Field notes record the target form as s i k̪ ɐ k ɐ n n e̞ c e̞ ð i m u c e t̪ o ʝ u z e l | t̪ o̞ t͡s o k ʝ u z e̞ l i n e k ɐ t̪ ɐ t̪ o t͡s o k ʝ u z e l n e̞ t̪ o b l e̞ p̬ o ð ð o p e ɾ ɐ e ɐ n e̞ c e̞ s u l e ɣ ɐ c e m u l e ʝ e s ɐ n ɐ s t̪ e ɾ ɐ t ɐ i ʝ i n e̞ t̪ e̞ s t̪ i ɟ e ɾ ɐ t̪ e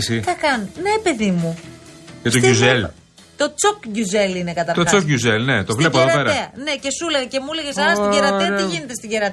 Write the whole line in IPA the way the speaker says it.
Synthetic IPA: s i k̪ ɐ k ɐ n n e̞ p e̞ ð i m u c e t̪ o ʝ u z e l | t̪ o̞ t͡s o k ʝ u z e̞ l i n e k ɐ t̪ ɐ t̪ o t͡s o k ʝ u z e l n e̞ t̪ o v l e̞ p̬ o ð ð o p e ɾ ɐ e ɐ n e̞ c e̞ s u l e ɣ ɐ c e m u l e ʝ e s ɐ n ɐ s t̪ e ɾ ɐ t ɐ i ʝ i n e̞ t̪ e̞ s t̪ i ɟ e ɾ ɐ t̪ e